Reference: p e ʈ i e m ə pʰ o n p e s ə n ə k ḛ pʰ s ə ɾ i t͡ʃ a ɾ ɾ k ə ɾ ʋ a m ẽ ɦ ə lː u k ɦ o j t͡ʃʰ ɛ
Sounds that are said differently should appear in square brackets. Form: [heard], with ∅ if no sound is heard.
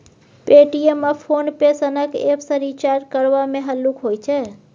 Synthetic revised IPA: p e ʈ i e m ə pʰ o n p e s ə n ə k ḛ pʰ s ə ɾ i t͡ʃ a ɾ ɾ k ə ɾ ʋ a m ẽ ɦ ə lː u k ɦ o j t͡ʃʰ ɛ